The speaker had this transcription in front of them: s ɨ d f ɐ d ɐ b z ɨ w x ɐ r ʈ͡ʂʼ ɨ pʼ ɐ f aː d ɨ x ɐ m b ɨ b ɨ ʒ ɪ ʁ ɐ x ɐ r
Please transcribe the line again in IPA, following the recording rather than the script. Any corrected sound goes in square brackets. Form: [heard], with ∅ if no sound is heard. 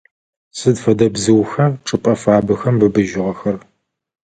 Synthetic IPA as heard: s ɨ d f ɐ d ɐ b z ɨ w x ɐ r ʈ͡ʂʼ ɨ pʼ ɐ f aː [b] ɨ x ɐ m b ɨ b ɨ ʒ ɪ ʁ ɐ x ɐ r